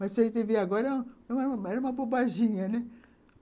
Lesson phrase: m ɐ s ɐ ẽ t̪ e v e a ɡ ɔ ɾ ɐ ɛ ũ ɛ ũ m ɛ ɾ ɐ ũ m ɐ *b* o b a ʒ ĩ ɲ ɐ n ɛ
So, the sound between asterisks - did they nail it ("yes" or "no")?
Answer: yes